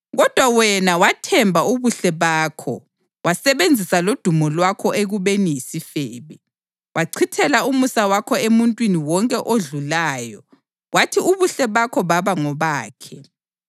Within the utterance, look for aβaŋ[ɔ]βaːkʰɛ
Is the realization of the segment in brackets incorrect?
no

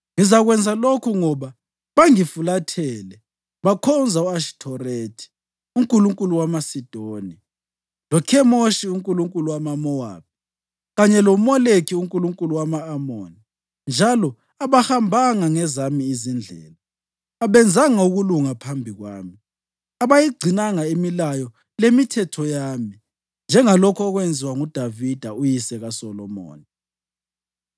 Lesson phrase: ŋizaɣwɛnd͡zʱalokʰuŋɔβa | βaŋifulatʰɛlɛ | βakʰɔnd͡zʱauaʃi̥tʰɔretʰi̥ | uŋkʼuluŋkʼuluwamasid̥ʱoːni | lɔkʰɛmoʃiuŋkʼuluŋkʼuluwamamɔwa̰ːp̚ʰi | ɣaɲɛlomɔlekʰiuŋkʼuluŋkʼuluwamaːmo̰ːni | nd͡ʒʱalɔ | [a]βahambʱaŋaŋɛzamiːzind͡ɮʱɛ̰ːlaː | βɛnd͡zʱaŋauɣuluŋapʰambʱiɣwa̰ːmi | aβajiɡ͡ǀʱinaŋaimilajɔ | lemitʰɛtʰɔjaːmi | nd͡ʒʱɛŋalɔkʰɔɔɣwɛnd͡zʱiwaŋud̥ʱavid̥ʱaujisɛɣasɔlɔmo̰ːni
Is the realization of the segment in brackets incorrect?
no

